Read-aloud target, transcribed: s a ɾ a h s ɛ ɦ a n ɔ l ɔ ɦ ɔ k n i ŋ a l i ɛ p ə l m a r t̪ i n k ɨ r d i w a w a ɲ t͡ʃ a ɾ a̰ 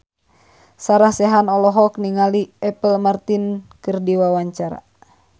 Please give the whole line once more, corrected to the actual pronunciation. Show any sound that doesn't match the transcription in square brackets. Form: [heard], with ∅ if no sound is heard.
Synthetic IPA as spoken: s a ɾ a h s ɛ ɦ a n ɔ l ɔ ɦ ɔ k n i ŋ a l i ɛ p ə l m a r t̪ i n k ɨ r d i w a w a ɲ t͡ʃ a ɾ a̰